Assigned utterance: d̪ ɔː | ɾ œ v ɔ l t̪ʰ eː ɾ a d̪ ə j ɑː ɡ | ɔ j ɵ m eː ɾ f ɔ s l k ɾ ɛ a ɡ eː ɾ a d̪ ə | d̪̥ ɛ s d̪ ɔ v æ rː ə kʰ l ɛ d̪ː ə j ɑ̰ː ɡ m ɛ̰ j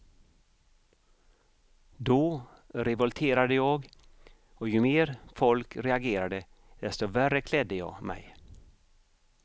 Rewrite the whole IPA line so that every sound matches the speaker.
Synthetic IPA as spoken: d̪ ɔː | ɾ ɛ v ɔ l t̪ʰ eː ɾ a d̪ ə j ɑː ɡ | ɔ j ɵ m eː ɾ f ɔ l k ɾ ɛ a ɡ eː ɾ a d̪ ə | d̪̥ ɛ s t̪ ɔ v æ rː ə kʰ l ɛ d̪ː ə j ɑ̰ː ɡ m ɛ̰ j